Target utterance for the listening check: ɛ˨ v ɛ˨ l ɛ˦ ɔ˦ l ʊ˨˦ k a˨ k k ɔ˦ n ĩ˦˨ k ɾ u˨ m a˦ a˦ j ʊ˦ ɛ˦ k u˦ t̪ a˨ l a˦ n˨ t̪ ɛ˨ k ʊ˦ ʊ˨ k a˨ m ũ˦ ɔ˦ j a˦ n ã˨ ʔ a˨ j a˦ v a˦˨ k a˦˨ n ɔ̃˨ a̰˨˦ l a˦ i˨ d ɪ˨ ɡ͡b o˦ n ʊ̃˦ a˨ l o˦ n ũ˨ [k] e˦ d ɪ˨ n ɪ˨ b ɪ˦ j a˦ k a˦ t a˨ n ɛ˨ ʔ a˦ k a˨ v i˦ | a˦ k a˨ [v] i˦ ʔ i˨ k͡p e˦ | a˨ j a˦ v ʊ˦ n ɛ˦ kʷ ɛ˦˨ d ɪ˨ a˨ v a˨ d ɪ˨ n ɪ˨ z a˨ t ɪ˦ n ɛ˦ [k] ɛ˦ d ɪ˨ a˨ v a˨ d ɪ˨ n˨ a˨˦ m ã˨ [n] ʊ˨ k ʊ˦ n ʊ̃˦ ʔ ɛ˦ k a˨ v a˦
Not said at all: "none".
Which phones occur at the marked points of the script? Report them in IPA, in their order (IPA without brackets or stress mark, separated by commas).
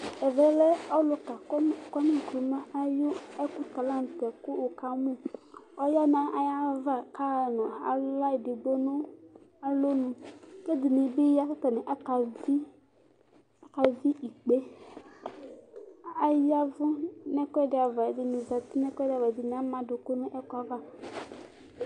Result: k, v, k, d